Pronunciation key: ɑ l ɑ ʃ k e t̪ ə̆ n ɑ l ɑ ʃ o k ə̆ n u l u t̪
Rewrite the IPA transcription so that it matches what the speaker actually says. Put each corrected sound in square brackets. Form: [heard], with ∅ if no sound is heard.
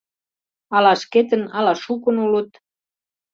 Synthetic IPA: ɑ l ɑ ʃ k e t̪ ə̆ n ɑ l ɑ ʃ [u] k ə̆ n u l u t̪